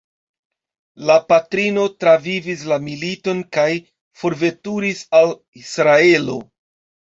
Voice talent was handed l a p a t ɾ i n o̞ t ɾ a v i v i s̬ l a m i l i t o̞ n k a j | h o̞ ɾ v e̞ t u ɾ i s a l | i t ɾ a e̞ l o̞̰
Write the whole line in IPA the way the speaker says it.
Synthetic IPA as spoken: l a p a t ɾ i n o̞ t ɾ a v i v i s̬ l a m i l i t o̞ n k a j | f o̞ ɾ v e̞ t u ɾ i s a l | i s ɾ a e̞ l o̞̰